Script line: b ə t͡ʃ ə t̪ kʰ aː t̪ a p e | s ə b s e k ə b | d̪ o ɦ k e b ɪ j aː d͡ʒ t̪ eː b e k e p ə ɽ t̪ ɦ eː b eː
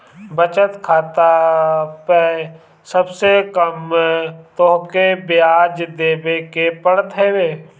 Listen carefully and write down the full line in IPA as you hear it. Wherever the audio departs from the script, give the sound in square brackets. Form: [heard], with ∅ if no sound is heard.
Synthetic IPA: b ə t͡ʃ ə t̪ kʰ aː t̪ a p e | s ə b s e k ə [m] | [t̪] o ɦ k e b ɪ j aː d͡ʒ [d̪] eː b e k e p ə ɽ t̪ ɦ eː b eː